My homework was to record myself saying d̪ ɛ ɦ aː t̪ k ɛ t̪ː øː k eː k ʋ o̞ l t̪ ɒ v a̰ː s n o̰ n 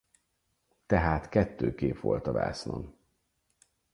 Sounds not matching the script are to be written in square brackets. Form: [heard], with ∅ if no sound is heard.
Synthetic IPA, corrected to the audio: [t̪] ɛ ɦ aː t̪ k ɛ t̪ː øː k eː [p] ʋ o̞ l t̪ ɒ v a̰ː s n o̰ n